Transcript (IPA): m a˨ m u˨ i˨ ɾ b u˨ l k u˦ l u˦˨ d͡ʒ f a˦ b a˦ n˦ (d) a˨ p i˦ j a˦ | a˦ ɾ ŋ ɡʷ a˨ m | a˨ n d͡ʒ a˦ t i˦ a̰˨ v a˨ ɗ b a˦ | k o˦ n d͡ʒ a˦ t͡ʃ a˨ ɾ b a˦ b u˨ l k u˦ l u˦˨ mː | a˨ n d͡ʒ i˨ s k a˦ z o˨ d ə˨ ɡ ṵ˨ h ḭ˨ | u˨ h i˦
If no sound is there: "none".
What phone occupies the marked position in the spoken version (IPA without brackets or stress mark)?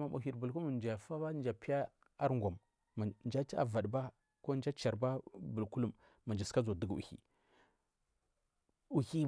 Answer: d͡ʒ